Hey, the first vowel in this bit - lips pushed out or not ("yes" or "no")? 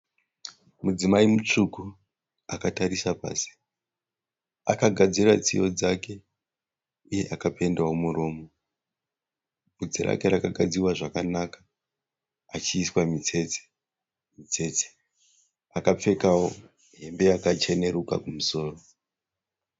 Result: yes